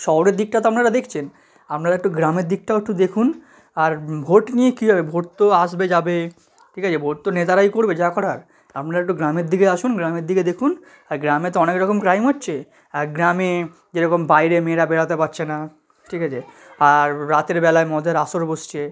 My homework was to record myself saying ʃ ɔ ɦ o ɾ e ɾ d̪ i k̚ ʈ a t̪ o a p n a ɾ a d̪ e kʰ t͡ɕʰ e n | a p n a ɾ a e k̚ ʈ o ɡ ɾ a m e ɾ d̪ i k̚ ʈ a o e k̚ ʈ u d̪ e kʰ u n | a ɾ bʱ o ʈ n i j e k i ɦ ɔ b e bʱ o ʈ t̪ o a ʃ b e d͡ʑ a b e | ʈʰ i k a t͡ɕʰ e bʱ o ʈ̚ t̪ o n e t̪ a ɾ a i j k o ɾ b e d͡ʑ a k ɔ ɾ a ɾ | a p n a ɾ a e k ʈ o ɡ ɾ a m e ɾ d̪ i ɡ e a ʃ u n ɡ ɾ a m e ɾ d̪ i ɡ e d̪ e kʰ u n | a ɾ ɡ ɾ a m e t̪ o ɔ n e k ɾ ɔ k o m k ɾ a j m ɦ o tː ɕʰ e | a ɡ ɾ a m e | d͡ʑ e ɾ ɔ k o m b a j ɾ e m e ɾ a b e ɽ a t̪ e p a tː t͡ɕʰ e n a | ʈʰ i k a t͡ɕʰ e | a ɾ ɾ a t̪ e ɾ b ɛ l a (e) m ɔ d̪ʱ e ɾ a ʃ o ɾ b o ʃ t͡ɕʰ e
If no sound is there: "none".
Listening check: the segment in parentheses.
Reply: e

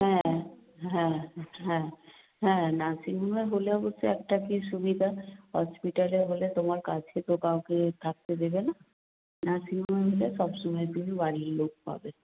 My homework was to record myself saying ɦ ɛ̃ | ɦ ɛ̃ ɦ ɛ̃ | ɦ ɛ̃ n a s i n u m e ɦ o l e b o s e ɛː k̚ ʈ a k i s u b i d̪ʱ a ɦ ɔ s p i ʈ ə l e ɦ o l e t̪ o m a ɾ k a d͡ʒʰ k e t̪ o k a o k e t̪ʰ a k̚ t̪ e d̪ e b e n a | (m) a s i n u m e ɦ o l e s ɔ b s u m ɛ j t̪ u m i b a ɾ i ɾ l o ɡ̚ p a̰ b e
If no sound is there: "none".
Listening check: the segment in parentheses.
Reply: n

